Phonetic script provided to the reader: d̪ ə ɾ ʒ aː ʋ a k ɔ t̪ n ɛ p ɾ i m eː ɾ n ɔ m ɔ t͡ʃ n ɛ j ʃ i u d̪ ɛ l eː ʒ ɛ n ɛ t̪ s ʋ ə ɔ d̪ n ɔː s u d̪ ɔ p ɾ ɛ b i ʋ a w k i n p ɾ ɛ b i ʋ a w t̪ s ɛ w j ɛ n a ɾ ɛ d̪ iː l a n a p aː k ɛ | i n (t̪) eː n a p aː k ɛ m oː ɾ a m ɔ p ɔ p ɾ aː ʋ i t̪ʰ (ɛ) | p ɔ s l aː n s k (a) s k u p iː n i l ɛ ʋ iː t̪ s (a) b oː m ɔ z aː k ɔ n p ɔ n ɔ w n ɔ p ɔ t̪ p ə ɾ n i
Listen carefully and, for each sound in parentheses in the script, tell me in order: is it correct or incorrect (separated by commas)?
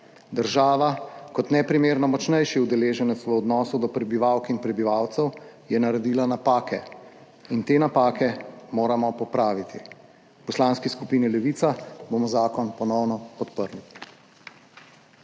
correct, incorrect, incorrect, correct